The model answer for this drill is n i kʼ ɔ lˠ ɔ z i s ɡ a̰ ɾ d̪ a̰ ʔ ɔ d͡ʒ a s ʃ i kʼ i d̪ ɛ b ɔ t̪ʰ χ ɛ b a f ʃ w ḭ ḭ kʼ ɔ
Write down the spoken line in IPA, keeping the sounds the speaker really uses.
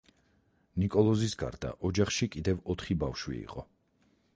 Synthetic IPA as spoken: n i kʼ ɔ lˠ ɔ z i s ɡ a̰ ɾ d̪ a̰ ʔ ɔ d͡ʒ a χ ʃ i kʼ i d̪ ɛ v ɔ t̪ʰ χ i b a f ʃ w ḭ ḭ qʼ ɔ